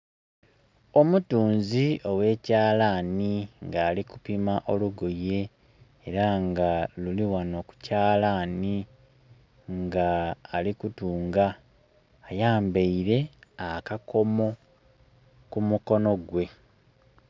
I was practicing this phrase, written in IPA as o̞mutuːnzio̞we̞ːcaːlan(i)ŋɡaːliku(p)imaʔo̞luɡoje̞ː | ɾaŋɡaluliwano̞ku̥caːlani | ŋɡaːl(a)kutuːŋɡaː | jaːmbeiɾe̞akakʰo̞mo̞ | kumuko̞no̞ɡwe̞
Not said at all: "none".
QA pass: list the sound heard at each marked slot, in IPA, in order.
i, p, i

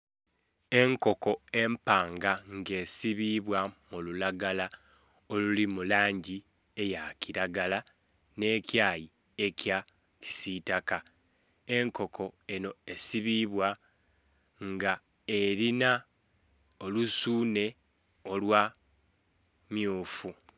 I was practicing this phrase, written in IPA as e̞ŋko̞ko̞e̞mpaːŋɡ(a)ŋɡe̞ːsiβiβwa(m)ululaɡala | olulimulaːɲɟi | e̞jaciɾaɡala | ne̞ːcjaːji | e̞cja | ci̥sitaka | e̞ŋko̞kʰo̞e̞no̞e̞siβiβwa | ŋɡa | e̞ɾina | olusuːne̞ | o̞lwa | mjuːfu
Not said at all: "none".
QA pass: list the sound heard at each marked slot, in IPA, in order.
a, m

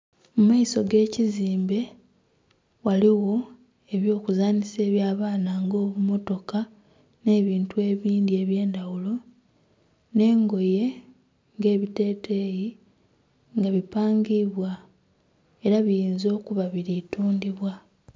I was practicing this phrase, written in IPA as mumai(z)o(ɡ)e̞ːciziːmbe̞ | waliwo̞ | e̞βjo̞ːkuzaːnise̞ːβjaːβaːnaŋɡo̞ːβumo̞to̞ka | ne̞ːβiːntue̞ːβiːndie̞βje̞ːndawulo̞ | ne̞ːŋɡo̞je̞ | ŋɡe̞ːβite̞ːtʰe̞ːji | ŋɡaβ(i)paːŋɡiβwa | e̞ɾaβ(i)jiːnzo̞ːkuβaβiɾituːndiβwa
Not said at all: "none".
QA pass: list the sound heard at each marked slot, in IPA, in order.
s, ɡ, i, i

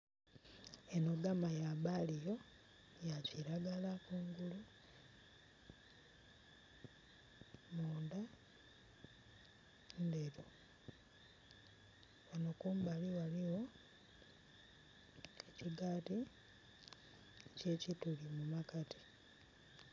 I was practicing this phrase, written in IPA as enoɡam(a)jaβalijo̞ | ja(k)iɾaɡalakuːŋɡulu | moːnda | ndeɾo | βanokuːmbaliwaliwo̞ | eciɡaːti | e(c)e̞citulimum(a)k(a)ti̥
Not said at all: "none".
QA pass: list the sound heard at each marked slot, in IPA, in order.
a, c, c, a, a

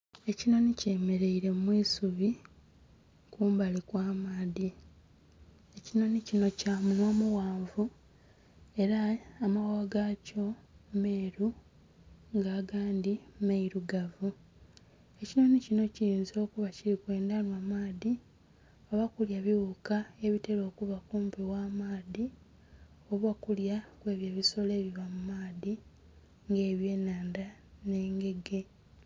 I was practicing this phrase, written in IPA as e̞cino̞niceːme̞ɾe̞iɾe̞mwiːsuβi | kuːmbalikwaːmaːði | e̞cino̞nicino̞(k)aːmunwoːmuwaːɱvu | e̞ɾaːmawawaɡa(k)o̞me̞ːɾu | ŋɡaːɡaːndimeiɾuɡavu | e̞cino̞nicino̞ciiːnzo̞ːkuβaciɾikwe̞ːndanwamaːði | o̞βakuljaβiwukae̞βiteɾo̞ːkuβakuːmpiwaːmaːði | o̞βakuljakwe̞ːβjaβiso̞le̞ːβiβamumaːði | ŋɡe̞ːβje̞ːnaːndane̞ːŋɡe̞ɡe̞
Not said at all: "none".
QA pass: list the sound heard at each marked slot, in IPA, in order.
c, c

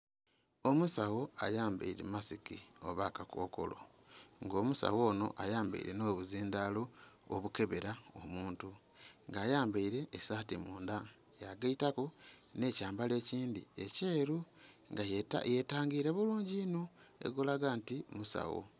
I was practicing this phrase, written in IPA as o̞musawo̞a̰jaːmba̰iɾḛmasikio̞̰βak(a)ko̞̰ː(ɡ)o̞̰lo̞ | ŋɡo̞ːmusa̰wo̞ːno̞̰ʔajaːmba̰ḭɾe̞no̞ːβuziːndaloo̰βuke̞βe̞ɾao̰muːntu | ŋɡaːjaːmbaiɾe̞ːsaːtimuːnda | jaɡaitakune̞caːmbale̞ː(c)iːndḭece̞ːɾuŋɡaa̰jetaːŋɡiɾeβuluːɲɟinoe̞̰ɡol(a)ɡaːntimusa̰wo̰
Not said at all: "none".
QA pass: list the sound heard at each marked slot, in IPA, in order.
a, k, c, a

